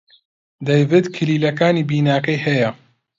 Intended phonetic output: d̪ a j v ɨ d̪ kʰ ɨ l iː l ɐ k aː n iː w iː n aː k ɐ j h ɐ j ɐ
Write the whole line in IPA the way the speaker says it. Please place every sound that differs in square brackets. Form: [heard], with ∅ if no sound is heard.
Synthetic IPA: d̪ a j v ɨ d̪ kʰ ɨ l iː l ɐ k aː n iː [b] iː n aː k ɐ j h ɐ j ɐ